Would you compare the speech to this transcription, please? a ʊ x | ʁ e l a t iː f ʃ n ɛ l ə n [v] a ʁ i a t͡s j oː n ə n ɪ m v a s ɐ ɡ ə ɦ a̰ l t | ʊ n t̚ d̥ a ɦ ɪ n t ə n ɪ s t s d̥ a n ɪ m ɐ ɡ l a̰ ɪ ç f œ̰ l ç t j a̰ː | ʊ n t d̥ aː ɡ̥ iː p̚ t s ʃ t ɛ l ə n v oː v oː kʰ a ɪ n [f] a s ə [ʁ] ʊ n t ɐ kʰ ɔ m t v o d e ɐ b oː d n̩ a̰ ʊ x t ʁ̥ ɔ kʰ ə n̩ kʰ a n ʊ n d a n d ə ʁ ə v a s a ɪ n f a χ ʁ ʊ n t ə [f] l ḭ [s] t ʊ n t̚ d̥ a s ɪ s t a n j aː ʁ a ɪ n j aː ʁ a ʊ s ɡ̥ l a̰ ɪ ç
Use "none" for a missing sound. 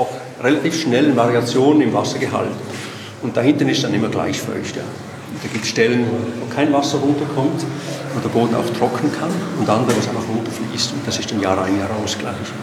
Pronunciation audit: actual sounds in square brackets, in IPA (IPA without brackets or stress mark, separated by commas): v, v, ʁ, f, s